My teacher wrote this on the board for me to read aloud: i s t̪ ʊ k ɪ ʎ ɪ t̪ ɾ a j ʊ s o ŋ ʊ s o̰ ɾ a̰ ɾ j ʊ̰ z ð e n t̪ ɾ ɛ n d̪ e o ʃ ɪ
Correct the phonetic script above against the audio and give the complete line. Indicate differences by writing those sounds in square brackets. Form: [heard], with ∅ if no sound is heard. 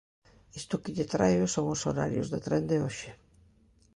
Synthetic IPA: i s t̪ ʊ k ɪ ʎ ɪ t̪ ɾ a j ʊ s o ŋ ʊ s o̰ ɾ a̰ ɾ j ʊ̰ z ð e [∅] t̪ ɾ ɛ n d̪ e o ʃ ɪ

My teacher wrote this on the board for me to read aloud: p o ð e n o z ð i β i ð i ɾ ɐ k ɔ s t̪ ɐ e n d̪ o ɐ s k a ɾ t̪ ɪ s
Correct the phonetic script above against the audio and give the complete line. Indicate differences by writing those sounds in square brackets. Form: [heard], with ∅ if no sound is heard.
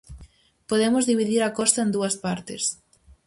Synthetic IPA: p o ð e [m] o z ð i β i ð i ɾ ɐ k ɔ s t̪ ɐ e n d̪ [u] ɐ s [p] a ɾ t̪ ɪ s

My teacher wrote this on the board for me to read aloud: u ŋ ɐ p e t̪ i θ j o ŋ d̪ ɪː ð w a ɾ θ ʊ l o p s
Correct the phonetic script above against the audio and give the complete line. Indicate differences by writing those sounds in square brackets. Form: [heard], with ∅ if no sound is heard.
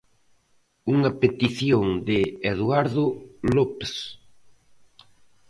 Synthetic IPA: u ŋ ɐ p e t̪ i θ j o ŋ d̪ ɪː ð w a ɾ [ð] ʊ l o p s

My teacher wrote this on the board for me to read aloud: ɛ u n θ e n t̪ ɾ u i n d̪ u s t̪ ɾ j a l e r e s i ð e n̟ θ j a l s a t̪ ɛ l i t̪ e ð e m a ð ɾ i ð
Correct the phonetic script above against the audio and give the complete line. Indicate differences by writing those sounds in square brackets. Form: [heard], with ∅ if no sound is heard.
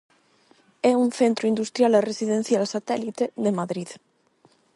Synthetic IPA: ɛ u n θ e n t̪ ɾ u i n d̪ u s t̪ ɾ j a l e r e s i ð e n̟ θ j a l s a t̪ ɛ l i t̪ e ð e m a ð ɾ i ð

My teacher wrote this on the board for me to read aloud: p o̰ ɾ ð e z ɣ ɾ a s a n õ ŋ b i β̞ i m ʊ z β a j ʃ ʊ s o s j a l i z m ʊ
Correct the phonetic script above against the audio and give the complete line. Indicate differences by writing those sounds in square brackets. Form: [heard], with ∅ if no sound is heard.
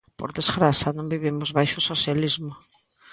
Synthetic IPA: p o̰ ɾ ð e z ɣ ɾ a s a n õ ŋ b i β̞ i m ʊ z β a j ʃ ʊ s o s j a l i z m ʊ

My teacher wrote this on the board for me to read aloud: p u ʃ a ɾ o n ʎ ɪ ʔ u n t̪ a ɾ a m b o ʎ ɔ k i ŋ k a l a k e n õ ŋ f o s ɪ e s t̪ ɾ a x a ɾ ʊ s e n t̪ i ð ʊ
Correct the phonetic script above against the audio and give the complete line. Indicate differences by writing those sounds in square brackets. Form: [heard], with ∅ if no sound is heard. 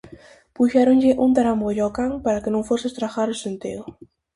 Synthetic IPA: p u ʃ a ɾ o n ʎ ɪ ʔ u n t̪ a ɾ a m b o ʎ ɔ k [a] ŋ [p] a [ɾ] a k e n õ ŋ f o s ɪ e s t̪ ɾ a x a ɾ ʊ s e n t̪ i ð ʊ

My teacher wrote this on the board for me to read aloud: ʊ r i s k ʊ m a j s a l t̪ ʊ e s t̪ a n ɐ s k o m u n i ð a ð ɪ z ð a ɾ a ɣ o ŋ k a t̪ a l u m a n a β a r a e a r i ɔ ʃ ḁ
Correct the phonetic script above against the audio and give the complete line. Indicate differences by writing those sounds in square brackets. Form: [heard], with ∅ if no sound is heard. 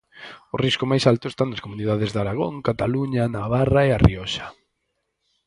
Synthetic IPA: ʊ r i s k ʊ m a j s a l t̪ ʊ e s t̪ a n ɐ s k o m u n i ð a ð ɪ z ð a ɾ a ɣ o ŋ k a t̪ a l u [ɲ] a n a β a r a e a r i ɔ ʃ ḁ

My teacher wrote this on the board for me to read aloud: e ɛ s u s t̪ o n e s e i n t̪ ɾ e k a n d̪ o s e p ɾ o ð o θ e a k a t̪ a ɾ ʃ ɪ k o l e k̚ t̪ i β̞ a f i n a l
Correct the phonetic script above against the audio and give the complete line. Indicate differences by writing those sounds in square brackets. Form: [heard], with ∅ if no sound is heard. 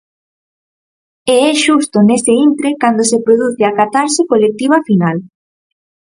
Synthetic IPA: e ɛ [ʃ] u s t̪ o n e s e i n t̪ ɾ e k a n d̪ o s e p ɾ o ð [u] θ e a k a t̪ a ɾ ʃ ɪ k o l e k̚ t̪ i β̞ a f i n a l

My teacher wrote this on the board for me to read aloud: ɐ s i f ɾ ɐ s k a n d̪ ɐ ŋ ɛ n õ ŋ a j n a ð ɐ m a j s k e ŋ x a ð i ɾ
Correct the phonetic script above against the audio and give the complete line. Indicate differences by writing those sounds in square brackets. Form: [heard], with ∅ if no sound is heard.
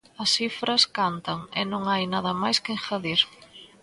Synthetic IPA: ɐ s i f ɾ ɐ s k a n [t̪] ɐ ŋ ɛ n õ ŋ a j n a ð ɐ m a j s k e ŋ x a ð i ɾ

